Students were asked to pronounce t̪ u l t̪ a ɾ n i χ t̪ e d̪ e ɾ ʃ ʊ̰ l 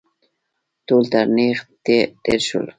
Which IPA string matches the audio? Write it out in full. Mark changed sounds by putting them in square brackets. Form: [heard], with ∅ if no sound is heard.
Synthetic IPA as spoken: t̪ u l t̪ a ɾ n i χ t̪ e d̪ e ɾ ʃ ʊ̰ l